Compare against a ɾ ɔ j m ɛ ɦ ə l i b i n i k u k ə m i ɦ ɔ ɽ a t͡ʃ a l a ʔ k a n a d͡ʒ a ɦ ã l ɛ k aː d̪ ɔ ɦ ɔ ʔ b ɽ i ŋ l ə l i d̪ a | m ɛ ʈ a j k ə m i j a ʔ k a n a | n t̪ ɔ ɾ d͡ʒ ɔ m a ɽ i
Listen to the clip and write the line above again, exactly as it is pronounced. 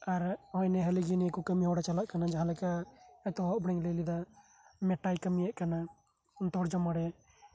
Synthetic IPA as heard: a ɾ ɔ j n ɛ ɦ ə l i ɡ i n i k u k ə m i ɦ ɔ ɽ a t͡ʃ a l a ʔ k a n a d͡ʒ a ɦ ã l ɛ k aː t̪ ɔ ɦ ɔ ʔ b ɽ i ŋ l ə l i d̪ a | m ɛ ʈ a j k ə m i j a ʔ k a n a | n t̪ ɔ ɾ d͡ʒ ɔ m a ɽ ɛ

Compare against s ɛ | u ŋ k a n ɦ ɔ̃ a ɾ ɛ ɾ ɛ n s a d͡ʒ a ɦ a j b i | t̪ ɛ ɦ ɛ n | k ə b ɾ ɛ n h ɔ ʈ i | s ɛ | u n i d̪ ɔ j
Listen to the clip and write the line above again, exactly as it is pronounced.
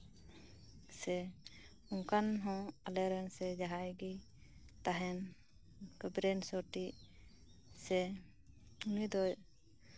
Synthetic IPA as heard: s ɛ | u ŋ k a n ɦ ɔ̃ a l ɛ ɾ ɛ n s ɛ d͡ʒ a ɦ a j ɡ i | t̪ a ɦ ɛ n | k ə b ɾ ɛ n s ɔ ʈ i | s ɛ | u n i d̪ ɔ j

